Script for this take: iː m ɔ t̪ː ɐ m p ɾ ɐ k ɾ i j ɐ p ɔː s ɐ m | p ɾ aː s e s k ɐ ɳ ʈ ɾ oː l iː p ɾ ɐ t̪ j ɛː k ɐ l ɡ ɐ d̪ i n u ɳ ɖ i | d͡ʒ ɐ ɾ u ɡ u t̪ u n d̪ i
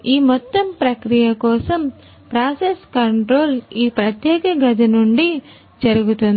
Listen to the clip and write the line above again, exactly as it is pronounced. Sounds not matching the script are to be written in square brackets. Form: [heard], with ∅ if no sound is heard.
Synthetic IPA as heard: iː m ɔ t̪ː ɐ m p ɾ ɐ k ɾ i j ɐ [k] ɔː s ɐ m | p ɾ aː s e s k ɐ ɳ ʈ ɾ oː l iː p ɾ ɐ t̪ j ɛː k ɐ [∅] ɡ ɐ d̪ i n u ɳ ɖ i | d͡ʒ ɐ ɾ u ɡ u t̪ u n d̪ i